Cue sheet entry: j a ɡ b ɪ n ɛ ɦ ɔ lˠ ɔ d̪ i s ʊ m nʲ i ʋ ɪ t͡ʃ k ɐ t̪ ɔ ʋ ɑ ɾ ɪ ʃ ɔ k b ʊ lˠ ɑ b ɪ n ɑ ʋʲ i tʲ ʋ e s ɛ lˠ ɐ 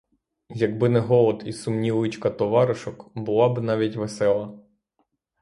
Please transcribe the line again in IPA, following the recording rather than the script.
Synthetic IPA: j ɐ ɡ b ɪ n ɛ ɦ ɔ lˠ ɔ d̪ i s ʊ m nʲ i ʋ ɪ t͡ʃ k ɐ t̪ ɔ ʋ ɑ ɾ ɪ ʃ ɔ k b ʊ lˠ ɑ b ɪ n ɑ ʋʲ i tʲ ʋ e s ɛ lˠ ɐ